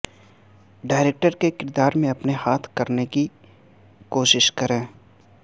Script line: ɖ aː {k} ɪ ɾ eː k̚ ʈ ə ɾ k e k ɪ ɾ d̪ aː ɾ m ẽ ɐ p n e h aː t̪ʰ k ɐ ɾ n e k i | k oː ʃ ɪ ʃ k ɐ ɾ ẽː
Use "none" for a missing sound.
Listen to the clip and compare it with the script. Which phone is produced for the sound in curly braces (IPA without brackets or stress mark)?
none